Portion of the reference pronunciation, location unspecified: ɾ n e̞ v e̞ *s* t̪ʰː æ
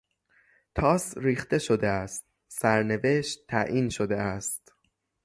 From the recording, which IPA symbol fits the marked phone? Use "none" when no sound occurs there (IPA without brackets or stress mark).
ʃ